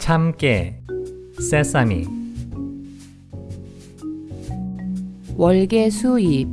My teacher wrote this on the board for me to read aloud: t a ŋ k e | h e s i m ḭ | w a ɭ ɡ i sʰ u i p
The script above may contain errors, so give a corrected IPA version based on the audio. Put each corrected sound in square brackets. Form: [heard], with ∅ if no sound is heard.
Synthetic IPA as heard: [t͡ɕʰ] a [m] k e | [s] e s [a] m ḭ | w [ʌ] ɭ ɡ [e] sʰ u i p